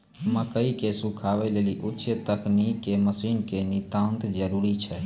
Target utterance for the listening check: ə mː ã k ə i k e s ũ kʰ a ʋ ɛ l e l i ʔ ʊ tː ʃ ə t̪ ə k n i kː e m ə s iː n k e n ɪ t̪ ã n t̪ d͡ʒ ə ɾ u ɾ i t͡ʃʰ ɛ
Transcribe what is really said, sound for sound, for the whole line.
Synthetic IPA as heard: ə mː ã k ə i k e s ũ kʰ a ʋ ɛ l e l i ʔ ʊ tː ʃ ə t̪ ə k n i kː e m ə s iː n k e n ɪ t̪ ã n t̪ d͡ʒ ə ɾ u ɾ i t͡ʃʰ ɛ